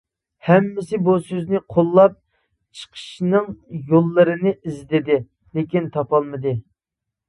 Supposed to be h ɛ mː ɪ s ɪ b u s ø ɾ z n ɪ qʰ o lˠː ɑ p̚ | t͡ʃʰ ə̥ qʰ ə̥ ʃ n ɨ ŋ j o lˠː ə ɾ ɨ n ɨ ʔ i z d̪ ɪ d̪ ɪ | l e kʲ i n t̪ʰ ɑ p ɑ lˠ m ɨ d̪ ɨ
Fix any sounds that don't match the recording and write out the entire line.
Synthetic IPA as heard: h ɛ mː ɪ s ɪ b u s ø z n ɪ qʰ o lˠː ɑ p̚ | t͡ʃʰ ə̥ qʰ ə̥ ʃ n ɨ ŋ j o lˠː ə ɾ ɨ n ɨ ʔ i z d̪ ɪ d̪ ɪ | l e kʲ i n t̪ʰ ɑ p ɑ lˠ m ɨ d̪ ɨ